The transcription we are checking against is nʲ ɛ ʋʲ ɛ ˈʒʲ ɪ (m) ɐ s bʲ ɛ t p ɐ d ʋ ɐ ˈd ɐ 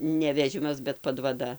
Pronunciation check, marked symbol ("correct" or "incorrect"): correct